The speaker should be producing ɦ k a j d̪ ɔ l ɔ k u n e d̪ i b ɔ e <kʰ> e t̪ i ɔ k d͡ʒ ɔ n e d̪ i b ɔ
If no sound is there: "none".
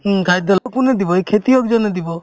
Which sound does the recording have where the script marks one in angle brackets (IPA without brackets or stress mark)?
kʰ